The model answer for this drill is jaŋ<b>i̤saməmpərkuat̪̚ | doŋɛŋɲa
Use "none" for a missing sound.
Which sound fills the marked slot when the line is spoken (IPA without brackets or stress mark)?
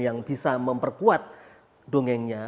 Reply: b